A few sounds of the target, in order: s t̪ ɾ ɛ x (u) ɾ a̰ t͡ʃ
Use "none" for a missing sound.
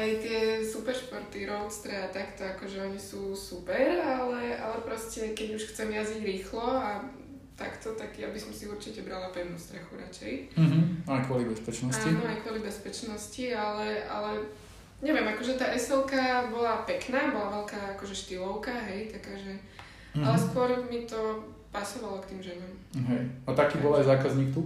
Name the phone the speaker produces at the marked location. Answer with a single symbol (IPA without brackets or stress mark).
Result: u